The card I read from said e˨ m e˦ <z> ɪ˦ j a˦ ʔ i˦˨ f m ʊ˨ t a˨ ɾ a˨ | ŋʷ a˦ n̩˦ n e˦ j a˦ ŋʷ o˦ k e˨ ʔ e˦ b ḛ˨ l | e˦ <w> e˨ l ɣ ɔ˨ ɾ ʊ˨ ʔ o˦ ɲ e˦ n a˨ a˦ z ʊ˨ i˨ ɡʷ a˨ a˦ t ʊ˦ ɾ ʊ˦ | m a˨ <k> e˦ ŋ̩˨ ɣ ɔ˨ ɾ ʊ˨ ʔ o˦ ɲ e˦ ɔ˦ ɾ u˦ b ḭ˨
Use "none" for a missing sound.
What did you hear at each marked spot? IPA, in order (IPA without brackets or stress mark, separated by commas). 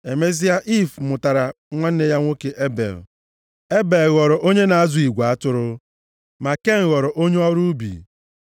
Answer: z, b, k